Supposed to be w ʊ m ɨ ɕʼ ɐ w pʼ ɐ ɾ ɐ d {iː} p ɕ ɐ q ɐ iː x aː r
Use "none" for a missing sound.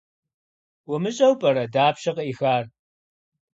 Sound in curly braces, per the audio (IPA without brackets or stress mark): aː